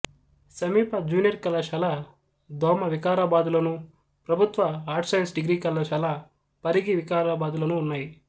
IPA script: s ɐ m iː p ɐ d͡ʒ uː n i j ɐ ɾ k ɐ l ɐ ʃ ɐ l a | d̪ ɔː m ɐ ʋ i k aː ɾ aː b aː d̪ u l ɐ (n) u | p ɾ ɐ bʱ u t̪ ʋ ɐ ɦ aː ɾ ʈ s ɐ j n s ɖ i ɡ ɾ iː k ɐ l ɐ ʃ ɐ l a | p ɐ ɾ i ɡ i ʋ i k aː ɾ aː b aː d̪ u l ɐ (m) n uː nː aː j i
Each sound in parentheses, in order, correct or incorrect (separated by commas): correct, incorrect